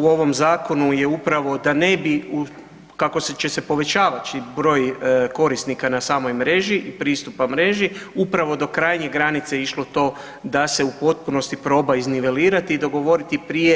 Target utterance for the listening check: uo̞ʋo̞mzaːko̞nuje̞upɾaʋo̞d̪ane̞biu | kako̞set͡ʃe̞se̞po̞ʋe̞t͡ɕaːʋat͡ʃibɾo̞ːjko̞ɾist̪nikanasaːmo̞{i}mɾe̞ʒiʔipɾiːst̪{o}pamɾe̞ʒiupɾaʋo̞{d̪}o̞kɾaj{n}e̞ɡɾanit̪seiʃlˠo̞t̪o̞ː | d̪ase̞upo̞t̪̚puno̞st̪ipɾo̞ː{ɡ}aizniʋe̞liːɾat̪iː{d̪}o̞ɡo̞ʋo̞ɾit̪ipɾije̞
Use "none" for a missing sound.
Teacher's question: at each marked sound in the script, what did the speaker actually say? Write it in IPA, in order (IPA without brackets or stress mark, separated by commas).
j, u, d̪, ɲ, b, d̪